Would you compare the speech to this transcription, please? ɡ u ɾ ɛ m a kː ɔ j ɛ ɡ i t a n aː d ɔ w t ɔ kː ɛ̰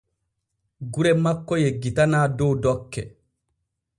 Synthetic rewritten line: ɡ u ɾ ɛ m a kː ɔ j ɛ ɡ i t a n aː d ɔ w d ɔ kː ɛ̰